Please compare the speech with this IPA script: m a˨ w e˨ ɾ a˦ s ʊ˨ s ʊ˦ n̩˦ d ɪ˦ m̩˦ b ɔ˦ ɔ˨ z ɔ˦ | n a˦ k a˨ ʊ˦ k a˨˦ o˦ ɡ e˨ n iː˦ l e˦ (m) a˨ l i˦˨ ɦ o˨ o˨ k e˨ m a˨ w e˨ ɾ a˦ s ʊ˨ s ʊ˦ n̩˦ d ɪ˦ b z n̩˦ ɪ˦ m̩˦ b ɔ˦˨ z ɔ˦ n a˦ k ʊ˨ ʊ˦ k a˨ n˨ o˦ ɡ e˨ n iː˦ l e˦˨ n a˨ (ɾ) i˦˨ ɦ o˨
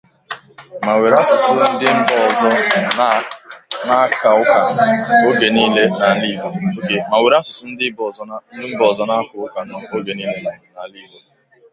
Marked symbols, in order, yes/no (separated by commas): no, no